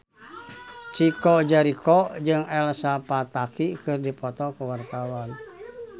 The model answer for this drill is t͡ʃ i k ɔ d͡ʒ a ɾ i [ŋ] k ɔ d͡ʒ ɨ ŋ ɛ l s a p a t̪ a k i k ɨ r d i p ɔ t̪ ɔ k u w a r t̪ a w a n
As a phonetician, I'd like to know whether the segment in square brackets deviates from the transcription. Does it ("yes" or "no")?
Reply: yes